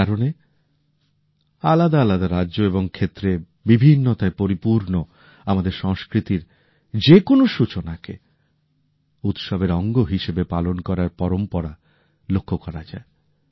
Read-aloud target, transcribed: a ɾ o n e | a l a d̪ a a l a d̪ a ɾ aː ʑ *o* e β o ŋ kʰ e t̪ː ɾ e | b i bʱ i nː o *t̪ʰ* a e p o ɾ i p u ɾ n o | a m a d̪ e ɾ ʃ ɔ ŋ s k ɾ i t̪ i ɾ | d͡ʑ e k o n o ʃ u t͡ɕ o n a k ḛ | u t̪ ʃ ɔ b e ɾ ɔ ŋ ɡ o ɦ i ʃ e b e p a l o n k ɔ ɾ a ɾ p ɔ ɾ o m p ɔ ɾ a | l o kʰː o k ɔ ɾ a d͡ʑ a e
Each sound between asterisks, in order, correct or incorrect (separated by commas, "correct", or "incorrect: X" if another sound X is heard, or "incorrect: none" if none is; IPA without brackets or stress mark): correct, incorrect: t̪